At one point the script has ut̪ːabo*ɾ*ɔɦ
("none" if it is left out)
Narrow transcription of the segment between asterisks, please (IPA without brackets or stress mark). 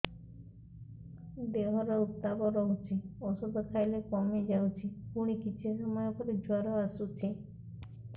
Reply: ɾ